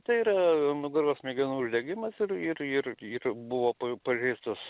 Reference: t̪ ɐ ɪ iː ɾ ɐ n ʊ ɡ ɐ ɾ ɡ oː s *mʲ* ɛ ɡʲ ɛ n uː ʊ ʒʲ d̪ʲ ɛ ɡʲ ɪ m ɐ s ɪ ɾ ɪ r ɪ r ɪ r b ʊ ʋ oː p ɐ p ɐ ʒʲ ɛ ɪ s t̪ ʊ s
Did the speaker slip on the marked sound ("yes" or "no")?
no